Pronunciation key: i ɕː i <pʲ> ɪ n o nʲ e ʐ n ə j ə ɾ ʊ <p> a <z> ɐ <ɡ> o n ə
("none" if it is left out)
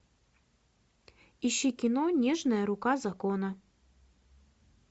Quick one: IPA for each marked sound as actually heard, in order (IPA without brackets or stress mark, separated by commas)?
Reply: kʲ, k, z, k